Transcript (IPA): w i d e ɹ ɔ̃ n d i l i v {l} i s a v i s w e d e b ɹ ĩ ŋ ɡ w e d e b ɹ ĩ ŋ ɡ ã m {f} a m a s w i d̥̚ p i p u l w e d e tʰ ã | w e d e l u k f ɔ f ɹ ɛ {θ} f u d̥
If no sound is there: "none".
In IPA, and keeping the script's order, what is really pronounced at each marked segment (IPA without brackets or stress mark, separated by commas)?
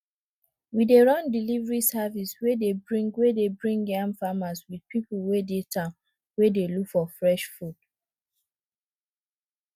ɹ, f, ʃ